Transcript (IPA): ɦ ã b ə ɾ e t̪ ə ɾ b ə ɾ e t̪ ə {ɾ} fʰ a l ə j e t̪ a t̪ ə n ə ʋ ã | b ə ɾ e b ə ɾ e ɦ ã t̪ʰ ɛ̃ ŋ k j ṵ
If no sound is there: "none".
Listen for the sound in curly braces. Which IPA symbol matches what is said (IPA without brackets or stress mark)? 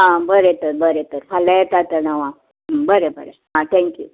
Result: ɾ